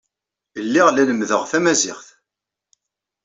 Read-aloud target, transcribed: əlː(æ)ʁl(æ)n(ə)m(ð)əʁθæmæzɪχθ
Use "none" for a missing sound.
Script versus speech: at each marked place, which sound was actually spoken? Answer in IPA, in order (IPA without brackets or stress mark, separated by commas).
i, æ, ə, ð